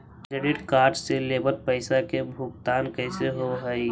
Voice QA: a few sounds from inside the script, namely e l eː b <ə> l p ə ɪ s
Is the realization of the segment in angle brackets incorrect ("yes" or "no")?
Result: no